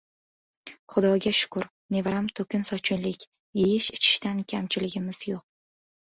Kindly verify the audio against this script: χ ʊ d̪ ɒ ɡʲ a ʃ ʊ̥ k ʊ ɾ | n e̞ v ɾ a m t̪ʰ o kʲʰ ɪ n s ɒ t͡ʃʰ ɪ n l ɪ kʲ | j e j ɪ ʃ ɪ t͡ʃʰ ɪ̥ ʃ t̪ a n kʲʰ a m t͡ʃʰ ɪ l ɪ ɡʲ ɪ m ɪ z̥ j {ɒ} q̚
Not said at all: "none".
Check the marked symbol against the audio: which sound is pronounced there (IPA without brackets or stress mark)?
o